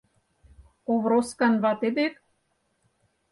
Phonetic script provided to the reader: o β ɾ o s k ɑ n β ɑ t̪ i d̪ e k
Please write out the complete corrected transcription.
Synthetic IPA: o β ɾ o s k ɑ n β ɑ t̪ e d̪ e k